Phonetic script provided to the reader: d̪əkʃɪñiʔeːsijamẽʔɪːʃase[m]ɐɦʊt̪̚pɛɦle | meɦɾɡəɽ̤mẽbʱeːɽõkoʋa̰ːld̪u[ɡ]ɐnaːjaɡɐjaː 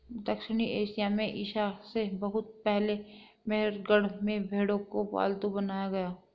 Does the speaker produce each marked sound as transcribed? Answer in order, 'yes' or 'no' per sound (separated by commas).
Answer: no, no